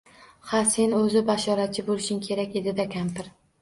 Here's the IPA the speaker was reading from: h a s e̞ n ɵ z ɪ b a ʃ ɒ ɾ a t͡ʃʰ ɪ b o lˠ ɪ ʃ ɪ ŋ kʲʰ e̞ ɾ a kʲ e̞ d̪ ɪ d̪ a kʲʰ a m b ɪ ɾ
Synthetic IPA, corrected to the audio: h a s e̞ n ɵ z ɪ b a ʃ ɒ ɾ a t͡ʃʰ ɪ b o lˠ ɪ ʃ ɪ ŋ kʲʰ e̞ ɾ a kʲ e̞ d̪ ɪ d̪ a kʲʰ a m p ɪ ɾ